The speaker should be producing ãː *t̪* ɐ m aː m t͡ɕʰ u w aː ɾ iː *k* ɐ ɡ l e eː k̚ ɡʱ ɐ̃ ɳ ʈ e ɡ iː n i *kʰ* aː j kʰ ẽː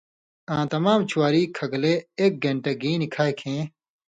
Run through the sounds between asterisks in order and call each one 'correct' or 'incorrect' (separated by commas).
correct, incorrect, correct